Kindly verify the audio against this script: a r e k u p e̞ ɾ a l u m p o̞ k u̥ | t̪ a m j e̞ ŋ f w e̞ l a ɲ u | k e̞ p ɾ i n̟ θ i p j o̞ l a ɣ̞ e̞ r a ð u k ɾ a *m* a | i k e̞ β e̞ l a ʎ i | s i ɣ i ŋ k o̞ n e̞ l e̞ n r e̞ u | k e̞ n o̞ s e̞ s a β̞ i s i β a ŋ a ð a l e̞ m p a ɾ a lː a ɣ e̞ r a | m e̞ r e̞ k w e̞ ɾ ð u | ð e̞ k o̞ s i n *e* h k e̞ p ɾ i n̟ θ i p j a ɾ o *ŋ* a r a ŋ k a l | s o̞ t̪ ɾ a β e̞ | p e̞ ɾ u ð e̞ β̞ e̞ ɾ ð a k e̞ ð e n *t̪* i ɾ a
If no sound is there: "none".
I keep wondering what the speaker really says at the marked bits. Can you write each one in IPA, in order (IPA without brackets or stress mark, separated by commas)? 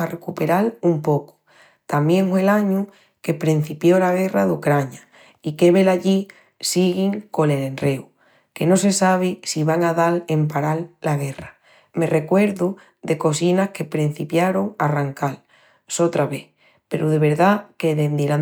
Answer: ɲ, a, ŋ, d̪